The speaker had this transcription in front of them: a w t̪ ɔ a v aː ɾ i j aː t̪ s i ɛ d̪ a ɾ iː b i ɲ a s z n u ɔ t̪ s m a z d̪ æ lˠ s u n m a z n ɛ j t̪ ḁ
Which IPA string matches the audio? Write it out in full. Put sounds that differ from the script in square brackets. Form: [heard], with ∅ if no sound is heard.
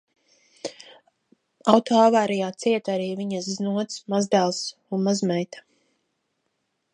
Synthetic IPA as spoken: a w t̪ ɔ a v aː ɾ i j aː t̪ s i ɛ [t̪] a ɾ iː [v] i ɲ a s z n u ɔ t̪ s m a z d̪ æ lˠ s u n m a z [m] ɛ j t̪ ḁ

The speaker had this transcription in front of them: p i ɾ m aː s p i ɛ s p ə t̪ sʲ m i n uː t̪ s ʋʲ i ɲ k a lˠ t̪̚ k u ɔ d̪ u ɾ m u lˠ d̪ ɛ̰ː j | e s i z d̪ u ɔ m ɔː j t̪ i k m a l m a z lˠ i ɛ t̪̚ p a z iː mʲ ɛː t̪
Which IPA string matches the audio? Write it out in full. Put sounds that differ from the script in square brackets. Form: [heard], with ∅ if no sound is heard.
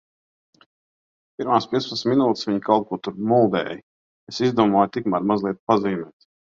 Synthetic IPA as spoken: p i ɾ m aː s p i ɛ s p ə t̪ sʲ m i n uː t̪ s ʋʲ i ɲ k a lˠ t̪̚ k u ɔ [t̪] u ɾ m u lˠ d̪ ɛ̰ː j | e s i z d̪ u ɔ m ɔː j t̪ i k m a [ɾ] m a z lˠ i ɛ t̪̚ p a z iː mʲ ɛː t̪

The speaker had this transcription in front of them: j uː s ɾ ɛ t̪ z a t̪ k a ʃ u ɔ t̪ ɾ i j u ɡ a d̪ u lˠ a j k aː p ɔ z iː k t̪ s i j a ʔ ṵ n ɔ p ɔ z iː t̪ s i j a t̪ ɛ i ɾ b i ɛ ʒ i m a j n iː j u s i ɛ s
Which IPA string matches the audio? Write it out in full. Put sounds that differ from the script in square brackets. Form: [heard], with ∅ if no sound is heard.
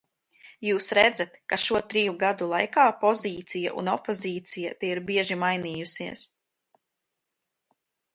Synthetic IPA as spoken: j uː s ɾ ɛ [d̪] z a t̪ k a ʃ u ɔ t̪ ɾ i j u ɡ a d̪ u lˠ a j k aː p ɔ z iː [∅] t̪ s i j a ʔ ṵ n ɔ p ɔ z iː t̪ s i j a t̪ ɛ i ɾ b i ɛ ʒ i m a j n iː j u s i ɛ s

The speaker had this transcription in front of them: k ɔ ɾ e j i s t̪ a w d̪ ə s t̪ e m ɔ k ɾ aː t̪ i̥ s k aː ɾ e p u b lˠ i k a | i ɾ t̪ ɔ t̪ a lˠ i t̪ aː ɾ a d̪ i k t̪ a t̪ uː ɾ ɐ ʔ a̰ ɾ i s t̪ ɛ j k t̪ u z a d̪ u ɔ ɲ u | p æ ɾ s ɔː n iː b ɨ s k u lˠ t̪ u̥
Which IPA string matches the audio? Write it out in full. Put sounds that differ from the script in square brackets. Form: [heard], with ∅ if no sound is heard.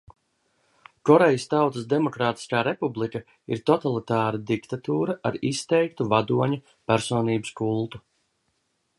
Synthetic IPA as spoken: k ɔ ɾ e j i s t̪ a w [t̪] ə s [d̪] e m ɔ k ɾ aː t̪ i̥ s k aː ɾ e p u b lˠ i k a | i ɾ t̪ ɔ t̪ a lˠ i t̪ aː ɾ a d̪ i k t̪ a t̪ uː ɾ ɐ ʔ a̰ ɾ i s t̪ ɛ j k t̪ u [v] a d̪ u ɔ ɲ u | p æ ɾ s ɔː n iː b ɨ s k u lˠ t̪ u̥

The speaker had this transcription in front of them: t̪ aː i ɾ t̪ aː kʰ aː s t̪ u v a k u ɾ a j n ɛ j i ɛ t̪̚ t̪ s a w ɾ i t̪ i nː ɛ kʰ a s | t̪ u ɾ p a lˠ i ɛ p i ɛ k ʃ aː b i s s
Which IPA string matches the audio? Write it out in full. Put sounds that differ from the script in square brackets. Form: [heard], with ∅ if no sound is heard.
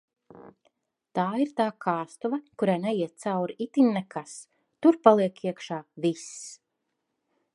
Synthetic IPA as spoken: t̪ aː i ɾ t̪ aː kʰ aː s t̪ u v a k u ɾ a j n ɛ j i ɛ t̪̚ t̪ s a w ɾ i t̪ i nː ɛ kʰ a s | t̪ u ɾ p a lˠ i ɛ [k] i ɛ k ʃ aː [v] i s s

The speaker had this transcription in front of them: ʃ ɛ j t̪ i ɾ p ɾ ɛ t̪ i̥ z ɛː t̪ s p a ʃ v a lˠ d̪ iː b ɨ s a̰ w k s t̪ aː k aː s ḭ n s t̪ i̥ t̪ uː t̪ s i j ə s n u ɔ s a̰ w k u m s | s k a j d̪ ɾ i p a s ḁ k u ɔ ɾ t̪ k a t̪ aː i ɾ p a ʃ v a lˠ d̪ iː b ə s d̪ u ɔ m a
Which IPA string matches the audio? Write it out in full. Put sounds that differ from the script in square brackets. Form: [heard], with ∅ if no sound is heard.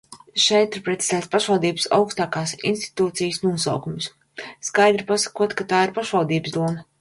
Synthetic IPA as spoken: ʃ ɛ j t̪ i ɾ p ɾ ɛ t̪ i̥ z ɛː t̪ s p a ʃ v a lˠ d̪ iː b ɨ s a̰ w k s t̪ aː k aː s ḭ n s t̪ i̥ t̪ uː t̪ s i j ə s n u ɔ s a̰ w k u m s | s k a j d̪ ɾ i p a s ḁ k u ɔ [∅] t̪ k a t̪ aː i ɾ p a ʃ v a lˠ d̪ iː b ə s d̪ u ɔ m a

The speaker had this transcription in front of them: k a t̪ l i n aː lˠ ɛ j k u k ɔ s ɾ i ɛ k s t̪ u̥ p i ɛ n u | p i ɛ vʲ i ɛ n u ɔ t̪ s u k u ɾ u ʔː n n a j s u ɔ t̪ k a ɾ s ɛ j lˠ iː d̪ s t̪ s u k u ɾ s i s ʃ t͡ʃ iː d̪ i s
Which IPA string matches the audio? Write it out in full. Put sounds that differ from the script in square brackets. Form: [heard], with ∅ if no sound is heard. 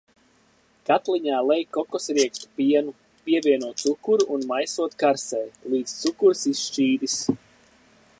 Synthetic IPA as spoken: k a t̪ l i [ɲ] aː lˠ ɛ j k [ɔ] k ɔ s ɾ i ɛ k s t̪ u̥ p i ɛ n u | p i ɛ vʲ i ɛ n u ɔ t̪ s u k u ɾ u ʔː n [m] a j s u ɔ t̪ k a ɾ s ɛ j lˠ iː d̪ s t̪ s u k u ɾ s i s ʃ t͡ʃ iː d̪ i s

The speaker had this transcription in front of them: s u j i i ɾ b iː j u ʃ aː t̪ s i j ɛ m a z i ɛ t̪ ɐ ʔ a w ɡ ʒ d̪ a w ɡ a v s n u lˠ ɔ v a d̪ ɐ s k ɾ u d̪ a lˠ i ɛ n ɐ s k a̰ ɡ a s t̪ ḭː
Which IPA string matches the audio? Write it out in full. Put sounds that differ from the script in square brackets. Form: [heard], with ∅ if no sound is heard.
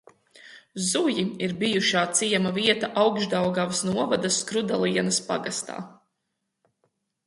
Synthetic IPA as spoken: [z] u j i i ɾ b [i] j u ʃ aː t̪ s i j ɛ m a [v] i ɛ t̪ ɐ ʔ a w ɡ ʒ d̪ a w ɡ a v s n u [∅] ɔ v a d̪ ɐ s k ɾ u d̪ a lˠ i ɛ n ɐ s [p] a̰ ɡ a s t̪ [a̰ː]

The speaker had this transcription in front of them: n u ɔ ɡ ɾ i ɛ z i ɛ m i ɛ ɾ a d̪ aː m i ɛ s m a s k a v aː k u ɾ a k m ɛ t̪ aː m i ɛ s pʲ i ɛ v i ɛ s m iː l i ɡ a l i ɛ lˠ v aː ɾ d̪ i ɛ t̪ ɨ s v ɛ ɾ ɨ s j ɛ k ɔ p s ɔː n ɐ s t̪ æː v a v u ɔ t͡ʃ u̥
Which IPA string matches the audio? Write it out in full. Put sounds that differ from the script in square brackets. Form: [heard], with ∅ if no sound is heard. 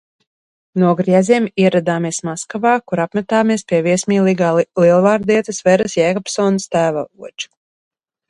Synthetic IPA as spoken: n u ɔ ɡ ɾ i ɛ z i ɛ m i ɛ ɾ a d̪ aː m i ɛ s m a s k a v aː k u ɾ a [p] m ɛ t̪ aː m i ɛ s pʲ i ɛ v i ɛ s m iː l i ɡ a l i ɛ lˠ v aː ɾ d̪ i ɛ t̪ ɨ s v ɛ ɾ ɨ s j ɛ k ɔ p s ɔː n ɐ s t̪ æː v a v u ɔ t͡ʃ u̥

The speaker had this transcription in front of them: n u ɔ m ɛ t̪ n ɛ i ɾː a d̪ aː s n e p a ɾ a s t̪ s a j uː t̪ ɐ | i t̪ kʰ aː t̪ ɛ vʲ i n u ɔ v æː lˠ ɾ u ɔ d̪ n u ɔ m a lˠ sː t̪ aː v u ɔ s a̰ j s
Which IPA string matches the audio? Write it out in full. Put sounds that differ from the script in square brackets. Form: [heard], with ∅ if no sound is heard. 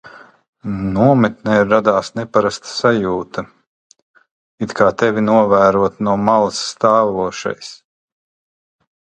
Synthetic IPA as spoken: n u ɔ m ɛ t̪ n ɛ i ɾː a d̪ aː s n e p a ɾ a s t̪ s a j uː t̪ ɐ | i t̪ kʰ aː t̪ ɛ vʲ i n u ɔ v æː [∅] ɾ u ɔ [t̪] n u ɔ m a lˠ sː t̪ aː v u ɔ [ʃ] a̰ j s

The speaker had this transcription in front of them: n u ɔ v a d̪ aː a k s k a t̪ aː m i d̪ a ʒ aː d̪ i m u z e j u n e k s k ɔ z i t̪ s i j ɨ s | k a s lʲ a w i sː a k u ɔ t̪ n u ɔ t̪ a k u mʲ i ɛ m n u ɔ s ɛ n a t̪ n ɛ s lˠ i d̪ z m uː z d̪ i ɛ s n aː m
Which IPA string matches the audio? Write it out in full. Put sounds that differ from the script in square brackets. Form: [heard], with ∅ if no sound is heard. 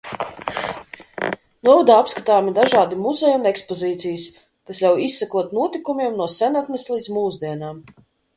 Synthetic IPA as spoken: n u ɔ v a d̪ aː a [p] s k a t̪ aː m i d̪ a ʒ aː d̪ i m u z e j u n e k s [p] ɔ z [iː] t̪ s i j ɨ s | k a s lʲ a w i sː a k u ɔ t̪ n u ɔ t̪ [i] k u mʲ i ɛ m n u ɔ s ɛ n a t̪ n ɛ s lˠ i d̪ z m uː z d̪ i ɛ [∅] n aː m

